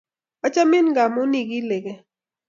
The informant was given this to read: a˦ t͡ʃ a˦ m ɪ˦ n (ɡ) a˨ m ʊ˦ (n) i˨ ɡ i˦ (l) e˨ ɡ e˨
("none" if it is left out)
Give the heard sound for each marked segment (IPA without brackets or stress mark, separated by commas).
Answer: ɡ, n, l